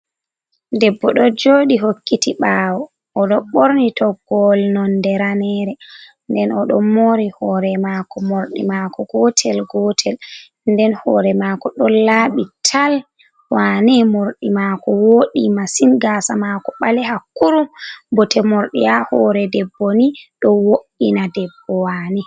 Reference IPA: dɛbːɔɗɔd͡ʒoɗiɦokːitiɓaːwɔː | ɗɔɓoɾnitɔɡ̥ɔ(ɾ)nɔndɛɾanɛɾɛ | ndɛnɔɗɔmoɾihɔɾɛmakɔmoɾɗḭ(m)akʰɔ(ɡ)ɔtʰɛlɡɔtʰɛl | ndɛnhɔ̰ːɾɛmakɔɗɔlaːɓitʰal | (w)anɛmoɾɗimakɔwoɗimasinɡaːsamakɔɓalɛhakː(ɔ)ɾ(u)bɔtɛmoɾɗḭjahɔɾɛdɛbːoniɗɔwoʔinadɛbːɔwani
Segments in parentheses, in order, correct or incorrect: incorrect: l, correct, correct, correct, incorrect: u, correct

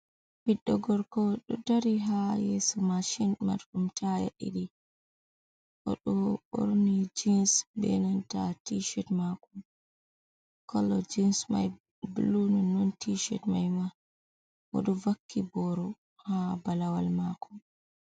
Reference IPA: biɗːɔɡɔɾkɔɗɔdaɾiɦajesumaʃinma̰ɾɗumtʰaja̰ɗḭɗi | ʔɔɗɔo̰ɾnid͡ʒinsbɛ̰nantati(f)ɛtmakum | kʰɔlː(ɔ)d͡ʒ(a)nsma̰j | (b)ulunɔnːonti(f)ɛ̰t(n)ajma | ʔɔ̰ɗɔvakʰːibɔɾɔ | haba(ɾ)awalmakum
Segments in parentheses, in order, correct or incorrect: incorrect: ʃ, correct, incorrect: i, correct, incorrect: ʃ, incorrect: m, incorrect: l

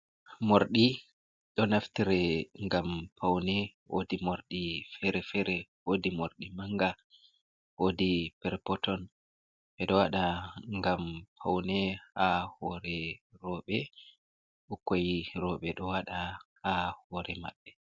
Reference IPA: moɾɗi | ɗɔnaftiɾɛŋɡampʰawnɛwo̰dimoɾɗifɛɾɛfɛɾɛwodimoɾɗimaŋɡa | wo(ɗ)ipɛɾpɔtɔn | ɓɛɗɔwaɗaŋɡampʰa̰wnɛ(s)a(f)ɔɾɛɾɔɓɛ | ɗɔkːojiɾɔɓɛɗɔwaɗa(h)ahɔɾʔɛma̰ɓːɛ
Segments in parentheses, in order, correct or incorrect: incorrect: d, incorrect: h, incorrect: h, correct

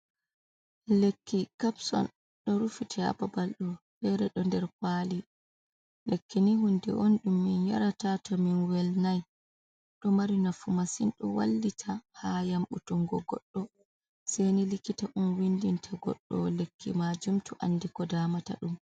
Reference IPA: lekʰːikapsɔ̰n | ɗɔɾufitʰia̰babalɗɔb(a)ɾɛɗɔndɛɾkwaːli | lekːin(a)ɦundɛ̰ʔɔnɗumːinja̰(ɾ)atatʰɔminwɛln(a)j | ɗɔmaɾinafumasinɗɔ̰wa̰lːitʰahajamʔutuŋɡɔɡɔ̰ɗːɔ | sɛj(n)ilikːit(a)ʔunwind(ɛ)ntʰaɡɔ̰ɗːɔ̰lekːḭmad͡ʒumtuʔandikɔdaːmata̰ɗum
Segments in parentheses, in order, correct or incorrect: incorrect: ɛ, incorrect: i, correct, correct, correct, correct, incorrect: i

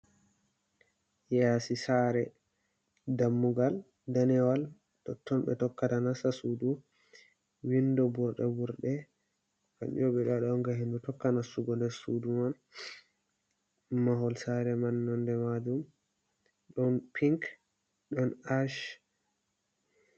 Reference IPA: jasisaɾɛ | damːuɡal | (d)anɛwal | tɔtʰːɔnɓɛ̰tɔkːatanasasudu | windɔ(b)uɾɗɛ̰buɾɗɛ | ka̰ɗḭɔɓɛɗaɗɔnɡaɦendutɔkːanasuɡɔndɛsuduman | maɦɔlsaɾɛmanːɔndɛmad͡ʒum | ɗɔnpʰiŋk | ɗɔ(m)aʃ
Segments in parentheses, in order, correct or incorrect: correct, correct, incorrect: n

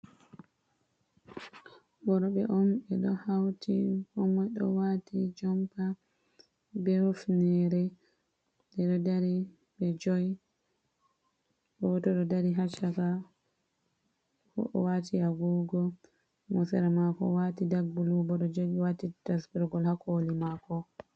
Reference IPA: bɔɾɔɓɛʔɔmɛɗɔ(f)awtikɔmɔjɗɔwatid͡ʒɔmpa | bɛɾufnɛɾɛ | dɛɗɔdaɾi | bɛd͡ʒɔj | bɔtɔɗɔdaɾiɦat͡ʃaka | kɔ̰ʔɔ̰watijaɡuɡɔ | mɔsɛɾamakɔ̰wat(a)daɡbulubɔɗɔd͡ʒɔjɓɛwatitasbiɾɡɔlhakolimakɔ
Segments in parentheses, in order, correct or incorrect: incorrect: h, incorrect: i

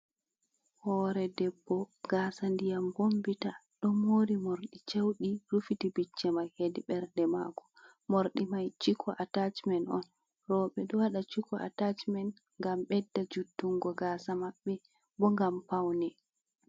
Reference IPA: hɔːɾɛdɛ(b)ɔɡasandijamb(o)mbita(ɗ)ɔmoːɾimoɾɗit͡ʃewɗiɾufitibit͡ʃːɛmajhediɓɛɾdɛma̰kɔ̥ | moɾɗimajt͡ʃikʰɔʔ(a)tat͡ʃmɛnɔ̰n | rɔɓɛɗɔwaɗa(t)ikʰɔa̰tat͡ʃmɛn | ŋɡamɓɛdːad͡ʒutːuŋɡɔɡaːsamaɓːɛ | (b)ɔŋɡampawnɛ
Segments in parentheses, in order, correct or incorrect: incorrect: bː, correct, correct, correct, incorrect: t͡ʃ, correct

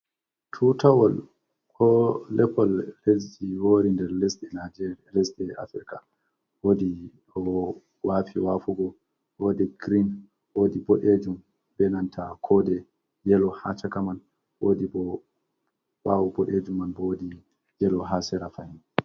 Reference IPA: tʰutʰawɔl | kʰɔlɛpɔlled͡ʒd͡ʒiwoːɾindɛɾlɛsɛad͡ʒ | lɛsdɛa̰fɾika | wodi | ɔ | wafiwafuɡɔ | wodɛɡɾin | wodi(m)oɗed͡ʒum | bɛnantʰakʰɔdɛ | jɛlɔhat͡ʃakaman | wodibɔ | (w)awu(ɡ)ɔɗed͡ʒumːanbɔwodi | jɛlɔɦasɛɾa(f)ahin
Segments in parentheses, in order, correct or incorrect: incorrect: b, correct, incorrect: b, correct

